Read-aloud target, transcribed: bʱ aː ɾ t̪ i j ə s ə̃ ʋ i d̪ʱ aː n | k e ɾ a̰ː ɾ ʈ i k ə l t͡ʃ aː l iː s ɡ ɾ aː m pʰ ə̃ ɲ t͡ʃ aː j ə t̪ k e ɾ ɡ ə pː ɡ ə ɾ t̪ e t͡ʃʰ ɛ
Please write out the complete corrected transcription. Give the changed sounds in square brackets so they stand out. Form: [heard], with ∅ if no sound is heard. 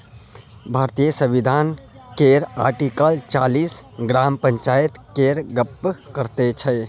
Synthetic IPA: bʱ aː ɾ t̪ i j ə s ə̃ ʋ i d̪ʱ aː n | k e ɾ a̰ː ɾ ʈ i k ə l t͡ʃ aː l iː s ɡ ɾ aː m [p] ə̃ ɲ t͡ʃ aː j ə t̪ k e ɾ ɡ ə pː [k] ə ɾ t̪ e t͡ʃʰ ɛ